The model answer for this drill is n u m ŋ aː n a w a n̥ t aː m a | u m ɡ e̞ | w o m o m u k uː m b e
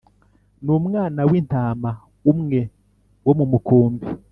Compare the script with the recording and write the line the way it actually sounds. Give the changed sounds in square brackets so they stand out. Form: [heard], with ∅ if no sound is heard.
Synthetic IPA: n u m ŋ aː n a w [i] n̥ t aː m a | u m [ŋ] e̞ | w o m [u] m u k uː m b [i]

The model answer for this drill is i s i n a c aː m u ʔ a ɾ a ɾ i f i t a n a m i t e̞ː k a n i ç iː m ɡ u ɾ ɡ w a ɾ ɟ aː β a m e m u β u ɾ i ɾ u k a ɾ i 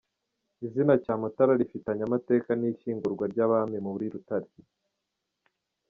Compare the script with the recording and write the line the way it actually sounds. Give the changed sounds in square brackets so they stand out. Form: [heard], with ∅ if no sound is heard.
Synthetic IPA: i [z] i n a c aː m u [t] a ɾ a ɾ i f i t a [ɲ] a m [a] t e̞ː k a n i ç iː [ŋ] ɡ u ɾ ɡ w a ɾ ɟ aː β a m e m u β u ɾ i ɾ u [t] a ɾ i

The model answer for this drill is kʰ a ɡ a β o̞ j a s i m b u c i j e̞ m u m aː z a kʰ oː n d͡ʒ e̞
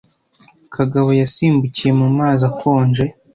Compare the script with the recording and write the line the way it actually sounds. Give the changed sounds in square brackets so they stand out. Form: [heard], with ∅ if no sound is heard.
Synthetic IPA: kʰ a ɡ a β o̞ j a s [iː] m b u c i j e̞ m u m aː z a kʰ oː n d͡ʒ e̞

